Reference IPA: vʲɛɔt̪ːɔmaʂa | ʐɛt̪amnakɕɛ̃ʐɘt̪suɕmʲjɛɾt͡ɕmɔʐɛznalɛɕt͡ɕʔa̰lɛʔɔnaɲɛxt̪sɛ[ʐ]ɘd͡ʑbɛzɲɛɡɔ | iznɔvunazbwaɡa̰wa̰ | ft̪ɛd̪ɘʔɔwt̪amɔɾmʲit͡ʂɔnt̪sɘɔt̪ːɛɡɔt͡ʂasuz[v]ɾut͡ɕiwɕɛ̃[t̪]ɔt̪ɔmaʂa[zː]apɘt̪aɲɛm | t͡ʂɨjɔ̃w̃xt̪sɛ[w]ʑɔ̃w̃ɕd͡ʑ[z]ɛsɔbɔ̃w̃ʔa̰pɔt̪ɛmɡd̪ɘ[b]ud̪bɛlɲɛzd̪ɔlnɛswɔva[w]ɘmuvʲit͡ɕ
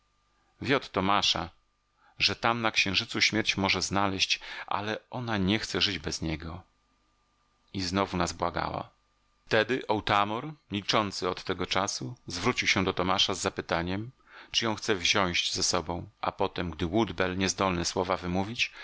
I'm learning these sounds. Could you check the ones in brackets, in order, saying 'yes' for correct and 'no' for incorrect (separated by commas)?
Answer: yes, yes, no, yes, no, yes, no, no